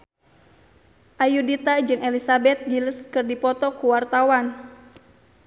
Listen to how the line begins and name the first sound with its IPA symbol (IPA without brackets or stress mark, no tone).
ʔ